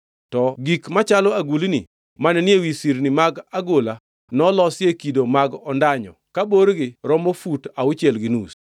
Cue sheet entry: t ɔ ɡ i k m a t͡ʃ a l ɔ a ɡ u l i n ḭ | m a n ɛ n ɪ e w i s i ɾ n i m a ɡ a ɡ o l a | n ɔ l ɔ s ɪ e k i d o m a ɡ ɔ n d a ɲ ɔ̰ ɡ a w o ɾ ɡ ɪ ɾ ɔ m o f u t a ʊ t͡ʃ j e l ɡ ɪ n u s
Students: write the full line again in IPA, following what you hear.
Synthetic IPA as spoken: t ɔ ɡ i k m a t͡ʃ a l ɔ a ɡ u l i n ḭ | m a n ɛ n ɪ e w i s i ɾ n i m a ɡ a ɡ o l a | n ɔ l ɔ s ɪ e k i d o m a ɡ ɔ n d a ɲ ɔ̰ k a b o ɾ ɡ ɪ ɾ ɔ m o f u t a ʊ t͡ʃ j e l ɡ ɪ n u s